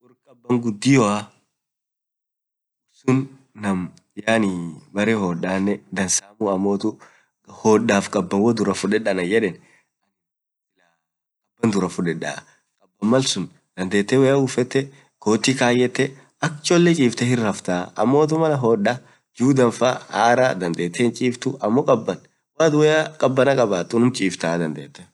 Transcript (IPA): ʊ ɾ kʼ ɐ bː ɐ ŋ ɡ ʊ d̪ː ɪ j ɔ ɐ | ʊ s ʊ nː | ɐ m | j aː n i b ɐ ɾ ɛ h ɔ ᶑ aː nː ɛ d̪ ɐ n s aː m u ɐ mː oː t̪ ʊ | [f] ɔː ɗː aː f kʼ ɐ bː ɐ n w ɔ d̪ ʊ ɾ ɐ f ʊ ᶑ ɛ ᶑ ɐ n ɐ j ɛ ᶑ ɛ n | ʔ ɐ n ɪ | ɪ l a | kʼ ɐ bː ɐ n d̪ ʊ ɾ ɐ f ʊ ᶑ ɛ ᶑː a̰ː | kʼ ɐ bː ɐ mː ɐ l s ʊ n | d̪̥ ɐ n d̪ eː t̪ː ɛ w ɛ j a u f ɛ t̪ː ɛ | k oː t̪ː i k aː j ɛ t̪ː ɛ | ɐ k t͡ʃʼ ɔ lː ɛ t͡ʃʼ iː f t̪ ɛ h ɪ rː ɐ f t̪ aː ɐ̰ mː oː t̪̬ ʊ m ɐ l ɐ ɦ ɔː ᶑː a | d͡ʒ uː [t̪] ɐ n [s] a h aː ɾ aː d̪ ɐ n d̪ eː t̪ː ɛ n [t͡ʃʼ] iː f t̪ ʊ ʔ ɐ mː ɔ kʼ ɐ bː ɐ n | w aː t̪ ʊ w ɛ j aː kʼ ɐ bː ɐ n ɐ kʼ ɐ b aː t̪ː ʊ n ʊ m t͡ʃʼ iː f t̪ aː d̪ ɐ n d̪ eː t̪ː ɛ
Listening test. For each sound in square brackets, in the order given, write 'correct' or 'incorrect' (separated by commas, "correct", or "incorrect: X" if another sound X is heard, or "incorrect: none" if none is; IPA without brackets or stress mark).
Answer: incorrect: h, incorrect: d̪, incorrect: f, correct